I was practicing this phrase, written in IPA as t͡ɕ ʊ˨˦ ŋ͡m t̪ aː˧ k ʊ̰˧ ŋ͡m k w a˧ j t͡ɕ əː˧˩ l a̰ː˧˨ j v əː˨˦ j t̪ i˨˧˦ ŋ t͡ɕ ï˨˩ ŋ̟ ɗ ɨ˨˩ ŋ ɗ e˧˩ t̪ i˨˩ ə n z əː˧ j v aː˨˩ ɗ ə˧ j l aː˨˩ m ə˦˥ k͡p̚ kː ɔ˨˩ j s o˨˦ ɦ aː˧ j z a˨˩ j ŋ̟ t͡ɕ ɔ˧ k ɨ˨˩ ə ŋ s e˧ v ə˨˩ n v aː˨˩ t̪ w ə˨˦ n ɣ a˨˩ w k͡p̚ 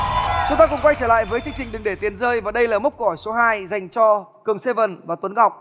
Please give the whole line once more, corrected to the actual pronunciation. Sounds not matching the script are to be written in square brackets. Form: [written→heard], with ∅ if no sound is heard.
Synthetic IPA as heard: t͡ɕ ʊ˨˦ ŋ͡m t̪ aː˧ k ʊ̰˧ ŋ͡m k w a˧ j t͡ɕ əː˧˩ l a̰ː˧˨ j v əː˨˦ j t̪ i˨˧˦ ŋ t͡ɕ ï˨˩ ŋ̟ ɗ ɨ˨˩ ŋ ɗ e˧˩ t̪ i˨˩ ə n z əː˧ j v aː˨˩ ɗ ə˧ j l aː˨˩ m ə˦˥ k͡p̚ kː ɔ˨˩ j s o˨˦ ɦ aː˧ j z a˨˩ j ŋ̟ t͡ɕ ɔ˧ k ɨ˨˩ ə ŋ s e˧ v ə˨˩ n v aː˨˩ t̪ w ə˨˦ n ɣ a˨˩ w k͡p̚